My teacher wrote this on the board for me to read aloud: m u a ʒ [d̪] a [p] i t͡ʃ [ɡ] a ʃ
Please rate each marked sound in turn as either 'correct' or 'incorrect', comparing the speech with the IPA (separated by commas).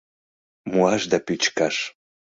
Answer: correct, correct, incorrect